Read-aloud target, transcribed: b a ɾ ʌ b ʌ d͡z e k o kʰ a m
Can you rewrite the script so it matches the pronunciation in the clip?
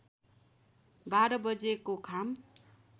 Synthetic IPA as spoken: b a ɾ ʌ b ʌ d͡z e k o kʰ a m